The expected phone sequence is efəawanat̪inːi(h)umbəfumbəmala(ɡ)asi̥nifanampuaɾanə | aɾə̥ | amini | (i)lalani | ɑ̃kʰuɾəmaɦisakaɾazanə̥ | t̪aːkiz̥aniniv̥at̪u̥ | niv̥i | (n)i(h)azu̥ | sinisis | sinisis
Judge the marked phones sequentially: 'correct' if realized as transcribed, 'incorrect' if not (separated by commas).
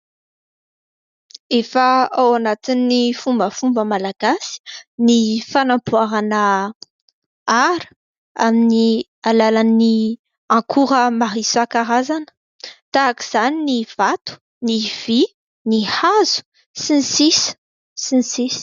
incorrect, correct, incorrect, correct, correct